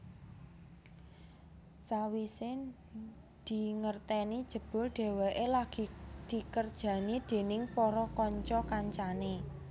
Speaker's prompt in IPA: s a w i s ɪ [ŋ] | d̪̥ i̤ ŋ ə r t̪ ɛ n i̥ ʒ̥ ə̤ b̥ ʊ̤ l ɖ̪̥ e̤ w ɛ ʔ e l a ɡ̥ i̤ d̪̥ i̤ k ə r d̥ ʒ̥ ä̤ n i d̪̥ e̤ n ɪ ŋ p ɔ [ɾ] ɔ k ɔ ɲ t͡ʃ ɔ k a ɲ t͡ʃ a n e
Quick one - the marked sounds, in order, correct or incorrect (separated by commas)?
incorrect, correct